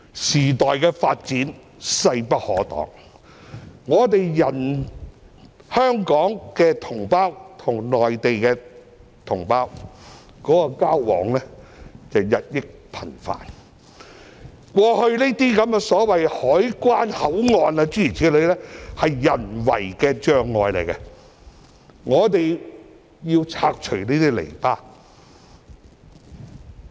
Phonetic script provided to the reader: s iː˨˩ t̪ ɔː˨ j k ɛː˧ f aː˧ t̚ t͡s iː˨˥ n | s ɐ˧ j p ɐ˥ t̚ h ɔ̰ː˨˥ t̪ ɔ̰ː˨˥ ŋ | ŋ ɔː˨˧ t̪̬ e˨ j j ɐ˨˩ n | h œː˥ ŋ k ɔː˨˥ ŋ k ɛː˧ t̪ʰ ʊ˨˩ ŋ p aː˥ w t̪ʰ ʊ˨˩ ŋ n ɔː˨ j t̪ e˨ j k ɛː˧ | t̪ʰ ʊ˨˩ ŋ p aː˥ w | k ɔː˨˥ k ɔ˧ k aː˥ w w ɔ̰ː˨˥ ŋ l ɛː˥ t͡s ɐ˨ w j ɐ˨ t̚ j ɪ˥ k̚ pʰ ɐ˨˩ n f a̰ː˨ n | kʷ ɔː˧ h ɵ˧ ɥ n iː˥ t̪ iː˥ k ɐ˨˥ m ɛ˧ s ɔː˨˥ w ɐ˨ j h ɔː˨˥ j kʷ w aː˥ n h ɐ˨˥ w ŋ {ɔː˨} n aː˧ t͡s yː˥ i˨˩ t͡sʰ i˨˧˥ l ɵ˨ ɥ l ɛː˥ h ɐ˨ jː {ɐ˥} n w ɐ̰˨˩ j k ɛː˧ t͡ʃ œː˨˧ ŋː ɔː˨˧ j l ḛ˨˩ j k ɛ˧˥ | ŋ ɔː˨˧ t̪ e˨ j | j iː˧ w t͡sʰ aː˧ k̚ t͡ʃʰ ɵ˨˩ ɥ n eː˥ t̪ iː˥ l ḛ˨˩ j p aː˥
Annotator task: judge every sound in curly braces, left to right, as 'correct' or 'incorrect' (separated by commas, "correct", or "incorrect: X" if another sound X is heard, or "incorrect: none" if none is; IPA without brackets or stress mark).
correct, incorrect: ɐ˨˩